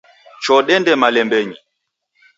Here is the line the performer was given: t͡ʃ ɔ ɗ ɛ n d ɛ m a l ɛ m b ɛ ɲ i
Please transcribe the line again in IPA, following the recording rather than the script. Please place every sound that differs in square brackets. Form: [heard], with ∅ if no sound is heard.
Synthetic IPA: t͡ʃ ɔ ɗ ɛ n d ɛ m a l ɛ m b ɛ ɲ i